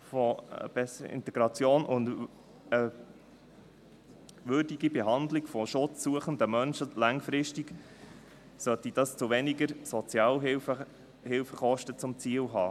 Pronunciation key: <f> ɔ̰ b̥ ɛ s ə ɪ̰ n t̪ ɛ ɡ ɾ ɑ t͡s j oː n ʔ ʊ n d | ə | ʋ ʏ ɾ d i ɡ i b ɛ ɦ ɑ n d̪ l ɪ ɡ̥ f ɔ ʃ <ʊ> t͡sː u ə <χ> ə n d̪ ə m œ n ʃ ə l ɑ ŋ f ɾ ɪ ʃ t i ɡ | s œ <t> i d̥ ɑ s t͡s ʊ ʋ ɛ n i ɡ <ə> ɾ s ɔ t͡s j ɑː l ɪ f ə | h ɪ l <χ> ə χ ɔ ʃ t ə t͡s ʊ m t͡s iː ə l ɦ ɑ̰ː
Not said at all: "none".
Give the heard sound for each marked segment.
f, ʊ, χ, t, ə, f

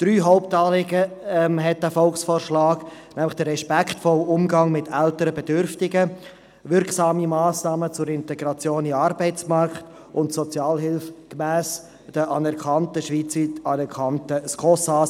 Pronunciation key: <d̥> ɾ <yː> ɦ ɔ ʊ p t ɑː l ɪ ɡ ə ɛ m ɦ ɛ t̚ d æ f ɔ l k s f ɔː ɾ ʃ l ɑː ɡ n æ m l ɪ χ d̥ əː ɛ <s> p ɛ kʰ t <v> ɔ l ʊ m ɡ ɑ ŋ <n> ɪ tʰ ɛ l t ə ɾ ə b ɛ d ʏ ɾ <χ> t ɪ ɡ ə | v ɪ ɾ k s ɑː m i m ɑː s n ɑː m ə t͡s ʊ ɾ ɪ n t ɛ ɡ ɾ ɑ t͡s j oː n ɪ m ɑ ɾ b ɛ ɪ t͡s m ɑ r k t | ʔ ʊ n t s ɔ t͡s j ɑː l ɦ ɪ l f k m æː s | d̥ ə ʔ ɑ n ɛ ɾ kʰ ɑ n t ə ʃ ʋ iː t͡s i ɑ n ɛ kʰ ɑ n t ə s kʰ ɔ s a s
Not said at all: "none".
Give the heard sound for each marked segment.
d̥, yː, ʃ, f, m, f

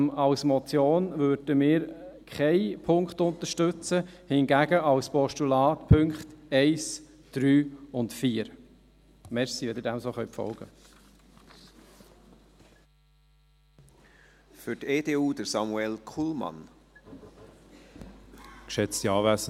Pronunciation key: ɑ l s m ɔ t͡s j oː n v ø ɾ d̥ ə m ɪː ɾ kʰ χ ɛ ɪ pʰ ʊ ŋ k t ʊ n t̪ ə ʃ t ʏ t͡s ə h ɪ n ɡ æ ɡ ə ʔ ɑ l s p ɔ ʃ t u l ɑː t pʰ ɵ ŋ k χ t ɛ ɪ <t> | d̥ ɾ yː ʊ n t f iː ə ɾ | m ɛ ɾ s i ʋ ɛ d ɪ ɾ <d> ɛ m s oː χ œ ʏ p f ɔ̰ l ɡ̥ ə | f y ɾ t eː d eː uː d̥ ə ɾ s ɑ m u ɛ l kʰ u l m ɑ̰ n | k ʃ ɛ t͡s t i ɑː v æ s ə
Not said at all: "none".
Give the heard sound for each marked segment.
s, d

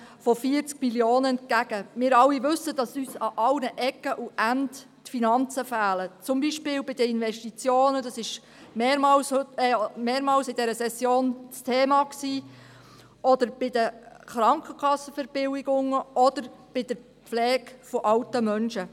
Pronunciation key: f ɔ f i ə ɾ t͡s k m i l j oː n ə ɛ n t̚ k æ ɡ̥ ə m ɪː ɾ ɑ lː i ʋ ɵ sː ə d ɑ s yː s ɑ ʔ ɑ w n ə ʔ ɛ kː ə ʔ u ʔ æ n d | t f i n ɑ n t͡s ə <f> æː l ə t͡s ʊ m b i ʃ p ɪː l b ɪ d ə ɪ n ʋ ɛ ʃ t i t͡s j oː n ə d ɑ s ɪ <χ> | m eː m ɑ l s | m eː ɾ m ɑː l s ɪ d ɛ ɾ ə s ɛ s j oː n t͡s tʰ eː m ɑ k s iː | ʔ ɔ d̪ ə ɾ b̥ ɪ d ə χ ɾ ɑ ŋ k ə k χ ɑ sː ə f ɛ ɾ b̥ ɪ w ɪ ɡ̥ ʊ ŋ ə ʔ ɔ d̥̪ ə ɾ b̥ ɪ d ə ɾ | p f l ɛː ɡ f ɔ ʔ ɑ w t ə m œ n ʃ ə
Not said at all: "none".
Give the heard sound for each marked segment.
f, ʃ

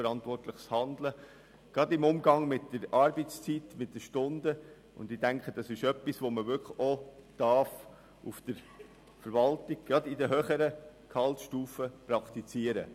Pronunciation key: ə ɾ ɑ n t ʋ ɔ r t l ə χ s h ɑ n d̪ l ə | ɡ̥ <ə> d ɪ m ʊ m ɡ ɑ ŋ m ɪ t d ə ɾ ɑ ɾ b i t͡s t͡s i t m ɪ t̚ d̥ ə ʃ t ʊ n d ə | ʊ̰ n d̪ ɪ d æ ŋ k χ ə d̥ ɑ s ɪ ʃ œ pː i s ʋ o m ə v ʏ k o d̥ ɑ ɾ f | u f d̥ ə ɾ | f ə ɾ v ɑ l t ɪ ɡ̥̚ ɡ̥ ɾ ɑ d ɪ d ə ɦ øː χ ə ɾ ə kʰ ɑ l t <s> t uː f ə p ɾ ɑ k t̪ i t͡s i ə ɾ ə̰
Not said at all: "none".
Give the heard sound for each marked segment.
ɑ, ʃ

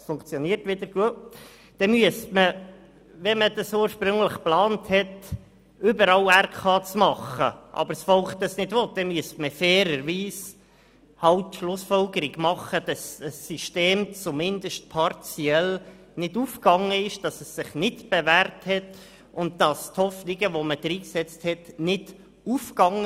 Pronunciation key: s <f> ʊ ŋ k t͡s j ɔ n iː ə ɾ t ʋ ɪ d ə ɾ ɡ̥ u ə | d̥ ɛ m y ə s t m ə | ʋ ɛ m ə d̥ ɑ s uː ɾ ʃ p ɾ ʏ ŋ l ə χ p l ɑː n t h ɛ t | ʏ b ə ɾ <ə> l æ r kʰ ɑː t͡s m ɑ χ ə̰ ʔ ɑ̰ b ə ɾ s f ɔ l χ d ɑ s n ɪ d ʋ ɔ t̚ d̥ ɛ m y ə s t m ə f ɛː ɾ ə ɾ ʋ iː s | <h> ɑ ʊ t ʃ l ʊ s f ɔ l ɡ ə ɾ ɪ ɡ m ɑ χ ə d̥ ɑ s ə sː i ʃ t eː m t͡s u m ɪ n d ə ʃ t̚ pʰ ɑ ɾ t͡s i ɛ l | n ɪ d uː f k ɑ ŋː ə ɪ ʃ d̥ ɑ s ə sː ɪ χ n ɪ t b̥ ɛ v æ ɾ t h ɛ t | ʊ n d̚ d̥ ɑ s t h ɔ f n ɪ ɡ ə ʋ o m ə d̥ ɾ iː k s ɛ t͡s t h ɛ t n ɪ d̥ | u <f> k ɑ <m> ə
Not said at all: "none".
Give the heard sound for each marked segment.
f, ɑ, h, f, ŋ

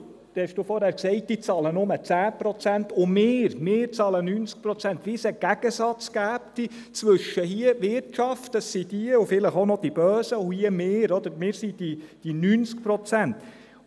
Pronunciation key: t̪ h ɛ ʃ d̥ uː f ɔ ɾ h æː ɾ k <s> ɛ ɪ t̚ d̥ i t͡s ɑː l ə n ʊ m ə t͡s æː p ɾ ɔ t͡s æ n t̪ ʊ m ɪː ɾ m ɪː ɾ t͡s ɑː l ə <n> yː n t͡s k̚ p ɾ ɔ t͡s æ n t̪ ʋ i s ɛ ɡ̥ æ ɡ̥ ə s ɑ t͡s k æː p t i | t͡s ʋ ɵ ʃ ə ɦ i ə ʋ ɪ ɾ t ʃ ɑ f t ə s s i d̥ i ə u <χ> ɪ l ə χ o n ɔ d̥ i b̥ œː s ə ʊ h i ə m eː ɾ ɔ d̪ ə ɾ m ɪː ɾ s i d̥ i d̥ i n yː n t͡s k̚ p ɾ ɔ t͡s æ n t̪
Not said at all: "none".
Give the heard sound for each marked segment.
s, n, f

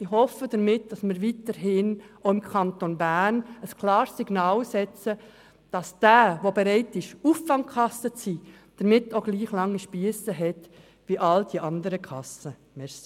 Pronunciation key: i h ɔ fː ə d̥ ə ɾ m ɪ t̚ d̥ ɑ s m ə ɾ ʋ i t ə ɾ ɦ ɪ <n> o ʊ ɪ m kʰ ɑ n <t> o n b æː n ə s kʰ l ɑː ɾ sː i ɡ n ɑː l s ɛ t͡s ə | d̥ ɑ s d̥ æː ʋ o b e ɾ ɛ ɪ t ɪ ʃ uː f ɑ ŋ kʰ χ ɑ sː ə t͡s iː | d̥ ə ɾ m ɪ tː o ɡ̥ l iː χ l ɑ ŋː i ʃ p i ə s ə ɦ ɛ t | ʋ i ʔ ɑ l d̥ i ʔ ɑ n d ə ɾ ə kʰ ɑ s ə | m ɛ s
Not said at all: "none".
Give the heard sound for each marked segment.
n, t

